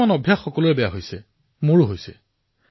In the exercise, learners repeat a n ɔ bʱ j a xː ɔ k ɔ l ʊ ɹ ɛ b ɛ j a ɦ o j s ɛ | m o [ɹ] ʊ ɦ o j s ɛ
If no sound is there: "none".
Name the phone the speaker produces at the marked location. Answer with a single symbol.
ɹ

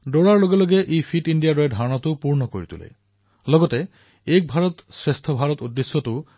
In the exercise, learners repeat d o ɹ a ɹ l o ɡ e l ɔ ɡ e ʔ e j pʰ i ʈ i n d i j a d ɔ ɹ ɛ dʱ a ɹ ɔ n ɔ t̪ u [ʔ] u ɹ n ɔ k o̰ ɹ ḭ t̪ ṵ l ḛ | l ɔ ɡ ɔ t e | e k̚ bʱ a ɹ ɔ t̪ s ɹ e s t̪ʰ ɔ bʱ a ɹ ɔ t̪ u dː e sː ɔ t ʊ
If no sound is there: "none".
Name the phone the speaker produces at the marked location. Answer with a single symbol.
p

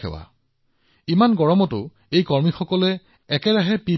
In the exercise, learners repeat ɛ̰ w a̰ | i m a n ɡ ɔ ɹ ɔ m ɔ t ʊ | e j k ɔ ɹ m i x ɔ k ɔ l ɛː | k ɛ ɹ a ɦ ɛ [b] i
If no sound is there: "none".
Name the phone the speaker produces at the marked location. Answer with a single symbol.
p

